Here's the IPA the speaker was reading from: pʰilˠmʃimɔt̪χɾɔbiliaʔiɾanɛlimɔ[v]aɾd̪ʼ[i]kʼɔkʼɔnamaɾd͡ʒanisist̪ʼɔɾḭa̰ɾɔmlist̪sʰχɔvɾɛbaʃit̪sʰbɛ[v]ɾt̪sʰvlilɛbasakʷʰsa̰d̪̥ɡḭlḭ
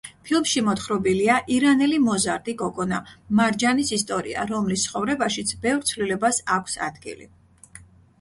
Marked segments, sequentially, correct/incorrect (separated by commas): incorrect, correct, correct